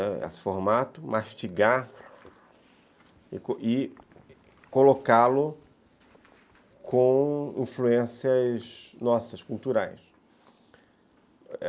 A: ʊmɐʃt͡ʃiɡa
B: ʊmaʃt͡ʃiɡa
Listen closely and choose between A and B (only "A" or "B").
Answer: B